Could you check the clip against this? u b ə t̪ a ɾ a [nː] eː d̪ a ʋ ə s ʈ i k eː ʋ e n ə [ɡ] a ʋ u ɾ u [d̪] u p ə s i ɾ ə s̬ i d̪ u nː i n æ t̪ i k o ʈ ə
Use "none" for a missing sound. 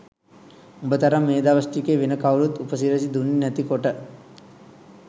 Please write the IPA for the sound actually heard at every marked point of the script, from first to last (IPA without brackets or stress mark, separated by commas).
mː, k, t̪